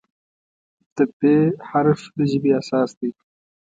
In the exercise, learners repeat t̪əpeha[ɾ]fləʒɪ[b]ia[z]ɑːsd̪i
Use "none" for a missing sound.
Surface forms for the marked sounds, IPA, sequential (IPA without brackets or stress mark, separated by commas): ɾ, b, s